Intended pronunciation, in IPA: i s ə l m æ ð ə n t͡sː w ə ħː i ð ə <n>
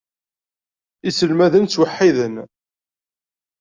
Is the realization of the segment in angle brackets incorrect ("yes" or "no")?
no